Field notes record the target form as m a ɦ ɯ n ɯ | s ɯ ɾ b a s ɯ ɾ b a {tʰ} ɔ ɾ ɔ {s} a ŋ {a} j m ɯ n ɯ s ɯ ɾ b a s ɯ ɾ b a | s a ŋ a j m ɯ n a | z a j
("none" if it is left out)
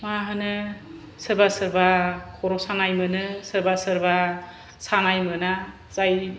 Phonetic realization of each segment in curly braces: kʰ, s, a

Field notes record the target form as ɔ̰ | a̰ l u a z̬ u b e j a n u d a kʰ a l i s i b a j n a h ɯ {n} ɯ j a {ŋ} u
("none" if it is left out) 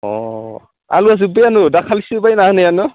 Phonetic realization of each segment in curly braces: n, n

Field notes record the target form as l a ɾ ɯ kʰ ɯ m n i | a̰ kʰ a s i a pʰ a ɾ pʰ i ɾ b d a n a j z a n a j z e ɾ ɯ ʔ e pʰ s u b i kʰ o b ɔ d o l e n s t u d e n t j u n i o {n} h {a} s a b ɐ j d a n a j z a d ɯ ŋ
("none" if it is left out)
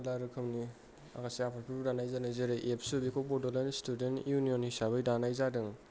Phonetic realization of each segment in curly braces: n, i

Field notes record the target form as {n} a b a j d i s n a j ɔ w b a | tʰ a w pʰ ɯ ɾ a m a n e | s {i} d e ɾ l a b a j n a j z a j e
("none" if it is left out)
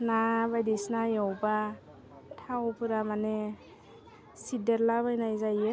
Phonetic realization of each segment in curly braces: n, i

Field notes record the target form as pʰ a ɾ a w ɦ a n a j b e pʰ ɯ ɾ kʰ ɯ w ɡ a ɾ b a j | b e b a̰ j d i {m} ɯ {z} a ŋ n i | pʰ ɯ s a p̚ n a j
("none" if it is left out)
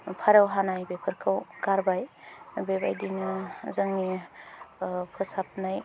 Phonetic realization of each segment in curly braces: n, z

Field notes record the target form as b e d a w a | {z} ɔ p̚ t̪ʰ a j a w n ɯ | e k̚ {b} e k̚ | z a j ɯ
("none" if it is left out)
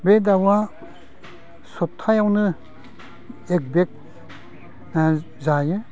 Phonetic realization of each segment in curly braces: s, b

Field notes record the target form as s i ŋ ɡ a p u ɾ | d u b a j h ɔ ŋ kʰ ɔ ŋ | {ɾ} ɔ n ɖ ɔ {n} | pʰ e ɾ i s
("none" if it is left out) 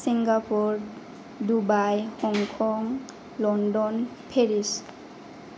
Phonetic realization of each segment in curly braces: l, n

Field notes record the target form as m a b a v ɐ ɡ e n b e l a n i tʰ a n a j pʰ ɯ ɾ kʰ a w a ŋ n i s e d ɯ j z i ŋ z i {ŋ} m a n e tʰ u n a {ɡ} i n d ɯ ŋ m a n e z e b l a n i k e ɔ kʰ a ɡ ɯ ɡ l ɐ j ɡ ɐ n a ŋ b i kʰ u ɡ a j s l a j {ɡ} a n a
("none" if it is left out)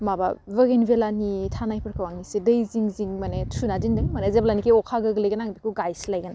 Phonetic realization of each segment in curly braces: ŋ, d, ɡ

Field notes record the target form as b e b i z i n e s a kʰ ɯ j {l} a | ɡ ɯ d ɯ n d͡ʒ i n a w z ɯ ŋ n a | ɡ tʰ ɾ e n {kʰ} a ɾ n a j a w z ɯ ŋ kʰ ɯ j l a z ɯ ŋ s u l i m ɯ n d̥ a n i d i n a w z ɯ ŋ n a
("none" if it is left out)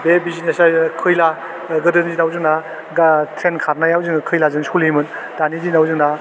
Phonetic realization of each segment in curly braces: l, kʰ

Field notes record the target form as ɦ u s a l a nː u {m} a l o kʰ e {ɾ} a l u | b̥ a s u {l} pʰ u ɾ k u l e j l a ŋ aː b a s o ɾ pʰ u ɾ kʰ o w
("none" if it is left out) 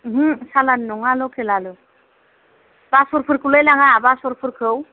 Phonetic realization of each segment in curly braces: ŋ, l, ɾ

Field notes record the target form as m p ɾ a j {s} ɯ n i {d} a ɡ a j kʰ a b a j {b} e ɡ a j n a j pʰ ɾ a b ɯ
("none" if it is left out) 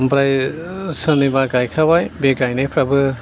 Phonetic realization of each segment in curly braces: s, b, b

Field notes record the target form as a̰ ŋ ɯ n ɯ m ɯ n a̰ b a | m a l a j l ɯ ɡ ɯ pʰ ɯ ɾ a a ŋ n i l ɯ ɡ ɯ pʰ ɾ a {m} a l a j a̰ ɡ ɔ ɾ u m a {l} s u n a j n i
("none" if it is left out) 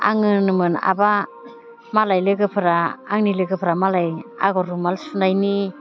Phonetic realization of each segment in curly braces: m, l

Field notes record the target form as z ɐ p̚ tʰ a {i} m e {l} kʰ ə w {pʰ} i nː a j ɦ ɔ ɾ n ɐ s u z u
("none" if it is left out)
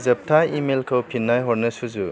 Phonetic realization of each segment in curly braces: i, l, pʰ

